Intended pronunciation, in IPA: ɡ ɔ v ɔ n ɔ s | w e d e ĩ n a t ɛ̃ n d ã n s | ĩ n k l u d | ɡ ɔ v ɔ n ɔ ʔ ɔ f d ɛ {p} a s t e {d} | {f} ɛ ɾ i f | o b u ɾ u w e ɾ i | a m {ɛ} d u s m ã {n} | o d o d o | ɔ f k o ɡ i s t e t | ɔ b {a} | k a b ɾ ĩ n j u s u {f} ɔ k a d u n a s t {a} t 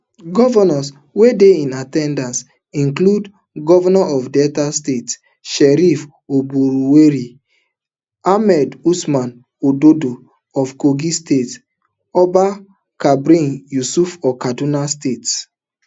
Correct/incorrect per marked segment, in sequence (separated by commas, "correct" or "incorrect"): incorrect, incorrect, incorrect, correct, correct, correct, correct, incorrect